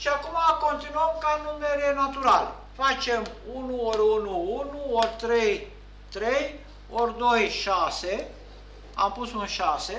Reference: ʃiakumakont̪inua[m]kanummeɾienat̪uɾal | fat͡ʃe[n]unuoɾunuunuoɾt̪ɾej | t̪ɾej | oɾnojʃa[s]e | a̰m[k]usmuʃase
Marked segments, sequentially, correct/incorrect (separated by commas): correct, incorrect, correct, incorrect